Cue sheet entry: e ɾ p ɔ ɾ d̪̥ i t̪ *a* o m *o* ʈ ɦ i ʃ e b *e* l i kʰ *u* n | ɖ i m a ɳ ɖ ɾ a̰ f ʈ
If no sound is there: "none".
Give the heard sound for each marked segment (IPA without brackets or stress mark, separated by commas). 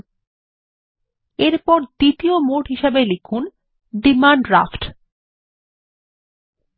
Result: i, o, e, u